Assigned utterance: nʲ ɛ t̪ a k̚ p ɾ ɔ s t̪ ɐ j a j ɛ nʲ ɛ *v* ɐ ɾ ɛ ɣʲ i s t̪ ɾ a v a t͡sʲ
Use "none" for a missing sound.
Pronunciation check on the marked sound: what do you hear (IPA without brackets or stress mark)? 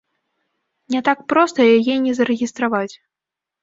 z